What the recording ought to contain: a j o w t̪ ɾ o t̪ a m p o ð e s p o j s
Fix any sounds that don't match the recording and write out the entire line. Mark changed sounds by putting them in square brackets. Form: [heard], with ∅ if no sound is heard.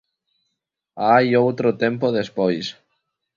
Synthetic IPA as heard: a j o w t̪ ɾ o t̪ [e] m p o ð e s p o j s